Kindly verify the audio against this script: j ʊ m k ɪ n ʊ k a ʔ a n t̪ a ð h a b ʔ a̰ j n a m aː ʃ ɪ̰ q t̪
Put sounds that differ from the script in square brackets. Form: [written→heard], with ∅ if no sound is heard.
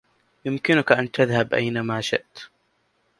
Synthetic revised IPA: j ʊ m k ɪ n ʊ k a ʔ a n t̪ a ð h a b ʔ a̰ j n a m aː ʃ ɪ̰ [q→ʔ] t̪

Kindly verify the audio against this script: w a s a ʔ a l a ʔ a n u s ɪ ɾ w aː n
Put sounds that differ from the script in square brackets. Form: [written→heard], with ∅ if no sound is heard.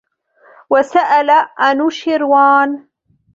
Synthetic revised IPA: w a s a ʔ a l a ʔ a n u [s→ʃ] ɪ ɾ w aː n

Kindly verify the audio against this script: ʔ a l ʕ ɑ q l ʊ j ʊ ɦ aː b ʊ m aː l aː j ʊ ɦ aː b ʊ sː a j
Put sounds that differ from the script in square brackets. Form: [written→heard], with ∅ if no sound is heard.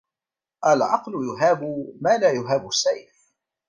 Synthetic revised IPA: ʔ a l ʕ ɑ q l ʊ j ʊ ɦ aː b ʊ m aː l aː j ʊ ɦ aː b ʊ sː a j

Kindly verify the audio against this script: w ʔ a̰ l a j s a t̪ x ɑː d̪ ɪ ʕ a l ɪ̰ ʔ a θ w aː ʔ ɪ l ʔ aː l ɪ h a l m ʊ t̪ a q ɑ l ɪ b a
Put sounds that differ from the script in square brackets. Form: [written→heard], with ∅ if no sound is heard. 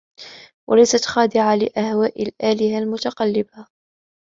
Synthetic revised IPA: w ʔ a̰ l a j s a t̪ x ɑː d̪ ɪ ʕ a l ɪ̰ ʔ a [θ→h] w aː ʔ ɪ l ʔ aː l ɪ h a l m ʊ t̪ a q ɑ [l→lː] ɪ b a

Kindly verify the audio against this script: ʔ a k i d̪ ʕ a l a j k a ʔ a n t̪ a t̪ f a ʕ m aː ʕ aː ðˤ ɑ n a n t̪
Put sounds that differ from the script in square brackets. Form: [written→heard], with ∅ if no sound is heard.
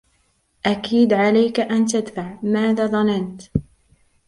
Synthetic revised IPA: ʔ a k [i→iː] d̪ ʕ a l a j k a ʔ a n t̪ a [t̪→d̪] f a ʕ m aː [ʕ→ð] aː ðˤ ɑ n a n t̪

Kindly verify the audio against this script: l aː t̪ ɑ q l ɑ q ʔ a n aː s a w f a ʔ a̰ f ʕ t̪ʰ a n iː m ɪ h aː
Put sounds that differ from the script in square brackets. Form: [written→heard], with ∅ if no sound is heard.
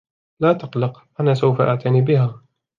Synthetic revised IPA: l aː t̪ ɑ q l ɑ q ʔ a n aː s a w f a ʔ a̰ [f→∅] ʕ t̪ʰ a n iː [m→b] ɪ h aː

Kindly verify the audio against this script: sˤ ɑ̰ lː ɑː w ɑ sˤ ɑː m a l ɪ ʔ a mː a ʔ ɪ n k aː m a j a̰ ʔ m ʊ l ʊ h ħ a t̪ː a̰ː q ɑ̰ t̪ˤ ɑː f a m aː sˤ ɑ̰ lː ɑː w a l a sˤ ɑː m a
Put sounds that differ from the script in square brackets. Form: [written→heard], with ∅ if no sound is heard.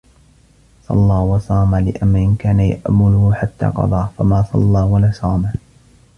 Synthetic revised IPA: sˤ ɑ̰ lː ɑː w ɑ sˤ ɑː m a l ɪ ʔ a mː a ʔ ɪ n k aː [m→n] a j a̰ ʔ m ʊ l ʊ h ħ a t̪ː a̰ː q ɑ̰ [t̪ˤ→d̪ˤ] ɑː f a m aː sˤ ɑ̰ lː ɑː w a l a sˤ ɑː m a

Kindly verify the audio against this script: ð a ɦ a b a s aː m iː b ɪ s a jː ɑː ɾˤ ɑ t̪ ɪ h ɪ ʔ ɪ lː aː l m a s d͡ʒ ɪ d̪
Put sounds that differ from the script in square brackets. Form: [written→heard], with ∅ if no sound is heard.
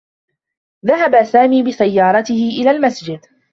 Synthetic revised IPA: ð a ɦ a b a s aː m iː b ɪ s a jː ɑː ɾˤ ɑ t̪ ɪ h ɪ ʔ ɪ [lː→l] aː l m a s d͡ʒ ɪ d̪

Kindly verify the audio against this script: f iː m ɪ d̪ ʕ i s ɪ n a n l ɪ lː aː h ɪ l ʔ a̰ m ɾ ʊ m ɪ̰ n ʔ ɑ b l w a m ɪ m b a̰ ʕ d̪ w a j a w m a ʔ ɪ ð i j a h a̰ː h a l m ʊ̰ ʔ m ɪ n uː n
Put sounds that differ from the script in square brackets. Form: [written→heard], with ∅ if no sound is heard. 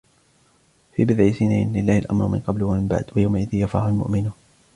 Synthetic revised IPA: f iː [m→b] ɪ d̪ ʕ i s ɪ n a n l ɪ lː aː h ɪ l ʔ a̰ m ɾ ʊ m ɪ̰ n [ʔ→q] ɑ b l w a m ɪ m b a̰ ʕ d̪ w a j a w m a ʔ ɪ ð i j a [h→f] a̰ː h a l m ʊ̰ ʔ m ɪ n uː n

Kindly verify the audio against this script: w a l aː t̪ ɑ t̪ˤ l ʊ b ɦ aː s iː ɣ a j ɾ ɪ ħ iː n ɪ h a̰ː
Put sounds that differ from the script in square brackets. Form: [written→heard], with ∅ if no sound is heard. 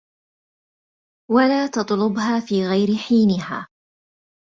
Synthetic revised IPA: w a l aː t̪ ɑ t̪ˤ l ʊ b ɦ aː [s→f] iː ɣ a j ɾ ɪ ħ iː n ɪ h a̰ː

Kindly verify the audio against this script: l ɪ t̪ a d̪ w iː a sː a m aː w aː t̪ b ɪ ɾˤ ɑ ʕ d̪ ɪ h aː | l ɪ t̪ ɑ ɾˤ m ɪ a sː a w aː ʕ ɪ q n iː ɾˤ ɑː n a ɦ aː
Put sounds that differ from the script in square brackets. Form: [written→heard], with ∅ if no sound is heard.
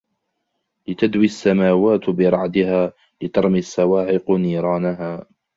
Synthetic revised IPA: l ɪ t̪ a d̪ w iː a sː a m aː w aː t̪ b ɪ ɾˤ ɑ ʕ d̪ ɪ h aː | l ɪ t̪ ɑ ɾˤ m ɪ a sː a w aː ʕ ɪ q n iː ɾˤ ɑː n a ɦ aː

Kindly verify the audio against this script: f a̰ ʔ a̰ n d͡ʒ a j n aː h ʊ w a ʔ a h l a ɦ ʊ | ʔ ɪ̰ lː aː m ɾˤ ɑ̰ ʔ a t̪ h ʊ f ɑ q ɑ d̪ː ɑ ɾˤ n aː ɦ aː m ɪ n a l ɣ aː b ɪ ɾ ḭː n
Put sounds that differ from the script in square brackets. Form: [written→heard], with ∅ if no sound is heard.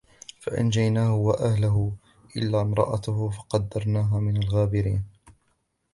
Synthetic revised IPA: f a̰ ʔ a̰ n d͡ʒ a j n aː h ʊ w a ʔ a h l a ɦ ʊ | ʔ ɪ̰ lː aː m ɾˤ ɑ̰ ʔ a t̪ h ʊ f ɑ q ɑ d̪ː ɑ ɾˤ n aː ɦ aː m ɪ n a l ɣ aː b ɪ ɾ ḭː n

